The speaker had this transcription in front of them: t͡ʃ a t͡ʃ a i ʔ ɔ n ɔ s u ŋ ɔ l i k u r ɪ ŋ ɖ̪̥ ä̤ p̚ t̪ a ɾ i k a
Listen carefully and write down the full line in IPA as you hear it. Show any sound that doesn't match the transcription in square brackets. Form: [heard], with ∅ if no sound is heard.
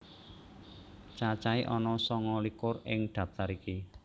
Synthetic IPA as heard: t͡ʃ a t͡ʃ a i ʔ ɔ n ɔ s [ɔ] ŋ ɔ l i k [ʊ] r ɪ ŋ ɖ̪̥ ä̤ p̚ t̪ a ɾ i k [i]